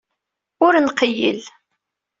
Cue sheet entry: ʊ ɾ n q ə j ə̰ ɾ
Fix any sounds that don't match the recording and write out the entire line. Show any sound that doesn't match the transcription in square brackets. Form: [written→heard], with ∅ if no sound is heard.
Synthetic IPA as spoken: ʊ ɾ n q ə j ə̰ [ɾ→l]